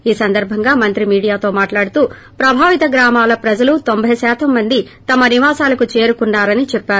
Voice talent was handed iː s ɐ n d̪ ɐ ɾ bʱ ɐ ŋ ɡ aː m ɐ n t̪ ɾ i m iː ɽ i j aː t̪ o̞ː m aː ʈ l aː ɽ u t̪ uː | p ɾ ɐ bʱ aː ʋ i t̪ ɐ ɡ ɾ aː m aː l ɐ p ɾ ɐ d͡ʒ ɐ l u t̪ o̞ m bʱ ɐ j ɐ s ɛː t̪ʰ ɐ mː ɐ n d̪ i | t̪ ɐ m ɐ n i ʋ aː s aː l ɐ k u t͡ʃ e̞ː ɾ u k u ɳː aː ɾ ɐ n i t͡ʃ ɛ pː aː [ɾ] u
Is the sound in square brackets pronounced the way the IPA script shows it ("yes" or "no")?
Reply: yes